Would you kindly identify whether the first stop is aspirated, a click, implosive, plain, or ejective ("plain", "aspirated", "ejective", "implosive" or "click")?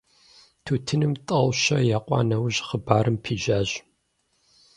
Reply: aspirated